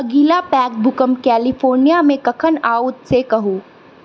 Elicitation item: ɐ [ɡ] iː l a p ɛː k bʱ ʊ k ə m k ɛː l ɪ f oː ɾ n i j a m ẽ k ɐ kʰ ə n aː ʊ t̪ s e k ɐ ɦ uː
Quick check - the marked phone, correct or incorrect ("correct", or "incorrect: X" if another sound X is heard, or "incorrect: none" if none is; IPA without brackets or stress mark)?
correct